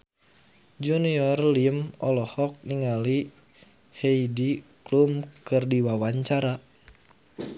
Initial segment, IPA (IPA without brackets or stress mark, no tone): d͡ʒ